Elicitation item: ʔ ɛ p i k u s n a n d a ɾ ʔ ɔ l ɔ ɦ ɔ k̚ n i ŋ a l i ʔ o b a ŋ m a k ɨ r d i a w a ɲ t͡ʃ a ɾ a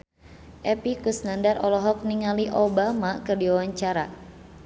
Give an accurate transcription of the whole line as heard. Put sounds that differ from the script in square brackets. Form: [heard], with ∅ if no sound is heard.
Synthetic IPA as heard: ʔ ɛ p i k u s n a n d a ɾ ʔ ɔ l ɔ ɦ ɔ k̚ n i ŋ a l i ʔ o b a [∅] m a k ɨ r d i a w a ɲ t͡ʃ a ɾ a